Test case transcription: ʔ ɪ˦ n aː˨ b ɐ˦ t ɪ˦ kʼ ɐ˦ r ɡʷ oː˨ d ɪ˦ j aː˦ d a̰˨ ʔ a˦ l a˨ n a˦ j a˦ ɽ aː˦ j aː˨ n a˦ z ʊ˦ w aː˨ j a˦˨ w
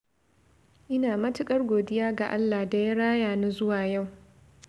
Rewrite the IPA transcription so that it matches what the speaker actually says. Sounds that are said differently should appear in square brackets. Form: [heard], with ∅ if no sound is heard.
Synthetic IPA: ʔ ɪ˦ n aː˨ [m] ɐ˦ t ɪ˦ kʼ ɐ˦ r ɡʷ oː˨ d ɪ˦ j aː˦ [ɡ] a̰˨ ʔ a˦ [lː] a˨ [d] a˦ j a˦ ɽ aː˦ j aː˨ n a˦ z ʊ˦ w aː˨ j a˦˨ w